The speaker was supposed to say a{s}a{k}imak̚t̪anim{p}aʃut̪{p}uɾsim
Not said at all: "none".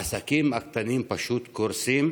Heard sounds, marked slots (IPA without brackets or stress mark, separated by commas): s, k, p, k